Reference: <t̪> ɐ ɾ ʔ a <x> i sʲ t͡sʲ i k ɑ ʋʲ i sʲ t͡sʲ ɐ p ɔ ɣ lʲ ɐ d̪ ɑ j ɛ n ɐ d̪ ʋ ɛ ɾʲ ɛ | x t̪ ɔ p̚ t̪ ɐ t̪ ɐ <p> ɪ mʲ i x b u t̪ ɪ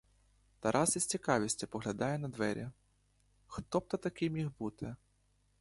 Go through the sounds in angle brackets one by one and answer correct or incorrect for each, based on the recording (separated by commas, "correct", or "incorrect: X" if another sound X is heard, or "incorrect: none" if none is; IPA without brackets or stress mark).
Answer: correct, incorrect: s, incorrect: k